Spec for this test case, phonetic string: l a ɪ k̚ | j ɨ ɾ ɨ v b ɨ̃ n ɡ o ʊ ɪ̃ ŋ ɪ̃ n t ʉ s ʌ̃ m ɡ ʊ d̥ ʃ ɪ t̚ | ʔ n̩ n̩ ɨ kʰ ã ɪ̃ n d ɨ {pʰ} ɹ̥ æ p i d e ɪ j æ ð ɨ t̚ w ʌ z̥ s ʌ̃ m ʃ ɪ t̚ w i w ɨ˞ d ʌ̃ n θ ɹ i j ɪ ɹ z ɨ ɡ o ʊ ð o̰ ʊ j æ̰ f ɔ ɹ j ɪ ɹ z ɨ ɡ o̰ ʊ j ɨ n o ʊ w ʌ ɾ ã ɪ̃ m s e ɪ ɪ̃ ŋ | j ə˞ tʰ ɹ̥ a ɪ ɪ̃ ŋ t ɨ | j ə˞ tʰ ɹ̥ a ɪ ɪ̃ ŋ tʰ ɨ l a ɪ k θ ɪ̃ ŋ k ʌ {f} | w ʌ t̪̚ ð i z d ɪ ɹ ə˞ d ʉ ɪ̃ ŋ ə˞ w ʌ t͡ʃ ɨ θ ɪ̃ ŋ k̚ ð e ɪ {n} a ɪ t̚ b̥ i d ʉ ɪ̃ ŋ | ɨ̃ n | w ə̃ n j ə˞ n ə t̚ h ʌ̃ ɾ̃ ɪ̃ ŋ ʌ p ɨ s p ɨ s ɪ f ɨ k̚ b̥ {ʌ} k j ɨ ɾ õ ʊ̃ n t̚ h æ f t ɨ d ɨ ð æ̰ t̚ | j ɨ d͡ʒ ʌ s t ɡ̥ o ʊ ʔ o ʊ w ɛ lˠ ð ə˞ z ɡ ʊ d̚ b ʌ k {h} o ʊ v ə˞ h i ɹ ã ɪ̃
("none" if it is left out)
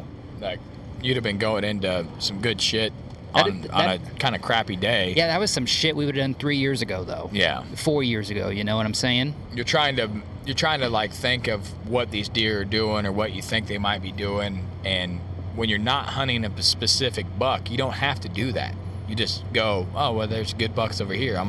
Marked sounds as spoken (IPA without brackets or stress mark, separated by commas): kʰ, v, m, ʌ, s